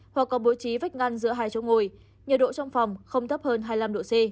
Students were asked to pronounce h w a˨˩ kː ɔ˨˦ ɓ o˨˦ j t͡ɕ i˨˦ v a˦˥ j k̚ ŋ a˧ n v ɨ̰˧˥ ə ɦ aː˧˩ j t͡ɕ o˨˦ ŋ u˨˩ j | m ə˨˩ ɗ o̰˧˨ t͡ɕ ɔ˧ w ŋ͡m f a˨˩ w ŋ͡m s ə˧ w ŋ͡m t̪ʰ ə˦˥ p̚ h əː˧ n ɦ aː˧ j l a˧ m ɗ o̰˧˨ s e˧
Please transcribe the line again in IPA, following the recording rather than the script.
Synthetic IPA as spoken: h w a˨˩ kː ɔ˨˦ ɓ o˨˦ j t͡ɕ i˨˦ v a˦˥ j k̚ ŋ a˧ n z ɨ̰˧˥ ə ɦ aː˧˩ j t͡ɕ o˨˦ ŋ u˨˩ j | ɲ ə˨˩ ɗ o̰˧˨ t͡ɕ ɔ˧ w ŋ͡m f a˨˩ w ŋ͡m x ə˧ w ŋ͡m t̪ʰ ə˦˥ p̚ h əː˧ n ɦ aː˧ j l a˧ m ɗ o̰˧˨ s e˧